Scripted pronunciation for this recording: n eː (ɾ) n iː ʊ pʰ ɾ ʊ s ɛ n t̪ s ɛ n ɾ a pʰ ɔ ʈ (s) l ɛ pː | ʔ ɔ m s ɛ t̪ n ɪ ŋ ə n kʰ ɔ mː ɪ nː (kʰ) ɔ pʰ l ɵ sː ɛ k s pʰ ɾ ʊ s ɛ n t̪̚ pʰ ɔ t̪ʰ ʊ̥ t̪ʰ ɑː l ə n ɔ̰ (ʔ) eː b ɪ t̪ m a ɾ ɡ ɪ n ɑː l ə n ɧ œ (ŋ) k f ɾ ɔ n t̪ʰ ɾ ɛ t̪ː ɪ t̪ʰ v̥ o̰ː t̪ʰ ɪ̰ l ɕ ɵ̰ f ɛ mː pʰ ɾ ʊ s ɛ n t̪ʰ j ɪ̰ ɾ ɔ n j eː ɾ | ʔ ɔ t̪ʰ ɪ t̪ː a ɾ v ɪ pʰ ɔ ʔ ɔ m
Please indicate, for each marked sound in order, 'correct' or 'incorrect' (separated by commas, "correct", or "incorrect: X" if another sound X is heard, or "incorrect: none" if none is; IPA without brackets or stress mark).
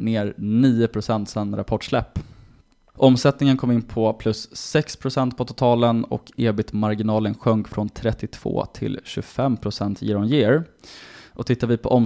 correct, incorrect: ʂ, incorrect: pʰ, incorrect: k, correct